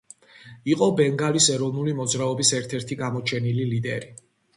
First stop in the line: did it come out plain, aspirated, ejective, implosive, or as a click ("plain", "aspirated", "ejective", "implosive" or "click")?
ejective